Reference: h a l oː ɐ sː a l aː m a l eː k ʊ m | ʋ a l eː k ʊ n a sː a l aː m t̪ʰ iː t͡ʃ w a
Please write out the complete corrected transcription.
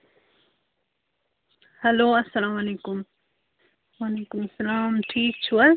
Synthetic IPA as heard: h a l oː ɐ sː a l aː m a l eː k ʊ m | w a l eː k ʊ m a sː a l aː m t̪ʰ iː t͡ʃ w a